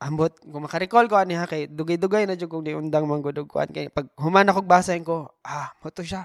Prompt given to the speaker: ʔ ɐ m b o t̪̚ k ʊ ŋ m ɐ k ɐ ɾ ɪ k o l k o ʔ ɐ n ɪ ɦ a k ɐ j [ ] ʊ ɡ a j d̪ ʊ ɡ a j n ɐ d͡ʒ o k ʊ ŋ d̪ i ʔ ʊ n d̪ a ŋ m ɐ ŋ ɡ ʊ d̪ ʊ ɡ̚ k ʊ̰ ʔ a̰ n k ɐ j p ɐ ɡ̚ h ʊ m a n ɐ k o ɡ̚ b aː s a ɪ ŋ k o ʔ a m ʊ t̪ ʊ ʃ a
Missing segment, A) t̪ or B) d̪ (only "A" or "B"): B